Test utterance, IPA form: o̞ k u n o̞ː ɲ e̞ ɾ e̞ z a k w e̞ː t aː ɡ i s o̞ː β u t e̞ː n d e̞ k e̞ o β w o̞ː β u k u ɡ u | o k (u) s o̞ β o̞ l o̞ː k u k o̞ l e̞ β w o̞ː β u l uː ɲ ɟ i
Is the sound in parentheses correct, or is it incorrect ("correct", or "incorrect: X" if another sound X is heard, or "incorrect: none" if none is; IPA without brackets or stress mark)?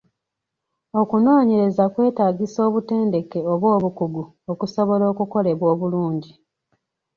correct